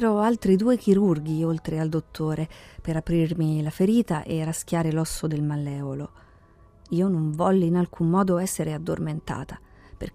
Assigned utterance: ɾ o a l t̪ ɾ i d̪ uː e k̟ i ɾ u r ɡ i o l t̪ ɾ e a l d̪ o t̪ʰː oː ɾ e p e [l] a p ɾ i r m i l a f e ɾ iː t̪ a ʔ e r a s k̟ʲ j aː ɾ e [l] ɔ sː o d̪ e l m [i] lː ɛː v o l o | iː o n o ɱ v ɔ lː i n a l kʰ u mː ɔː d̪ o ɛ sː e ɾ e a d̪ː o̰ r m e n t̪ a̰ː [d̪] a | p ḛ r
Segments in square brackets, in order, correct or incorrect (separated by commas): incorrect, correct, incorrect, incorrect